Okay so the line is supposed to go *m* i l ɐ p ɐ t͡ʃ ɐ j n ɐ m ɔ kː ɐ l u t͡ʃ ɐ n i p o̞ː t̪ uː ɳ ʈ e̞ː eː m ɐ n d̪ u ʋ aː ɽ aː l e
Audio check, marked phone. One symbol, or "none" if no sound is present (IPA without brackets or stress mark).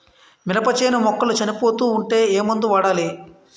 m